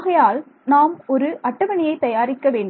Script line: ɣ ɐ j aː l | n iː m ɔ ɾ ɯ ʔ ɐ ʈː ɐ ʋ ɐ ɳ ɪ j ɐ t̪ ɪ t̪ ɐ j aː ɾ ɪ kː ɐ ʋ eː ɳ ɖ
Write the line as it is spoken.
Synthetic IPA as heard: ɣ ɐ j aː l | n aː m ɔ ɾ ɯ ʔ ɐ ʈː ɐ ʋ ɐ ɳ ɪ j ɐ ɪ t̪ ɐ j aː ɾ ɪ kː ɐ ʋ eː ɳ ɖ